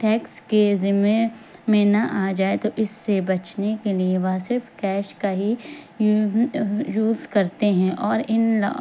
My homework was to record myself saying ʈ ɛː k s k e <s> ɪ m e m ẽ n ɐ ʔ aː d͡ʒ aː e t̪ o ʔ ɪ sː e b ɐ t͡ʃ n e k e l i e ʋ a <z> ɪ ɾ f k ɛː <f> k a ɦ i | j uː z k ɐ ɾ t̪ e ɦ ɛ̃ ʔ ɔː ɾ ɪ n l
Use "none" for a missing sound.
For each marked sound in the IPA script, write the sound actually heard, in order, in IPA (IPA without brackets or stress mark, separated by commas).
z, s, ʃ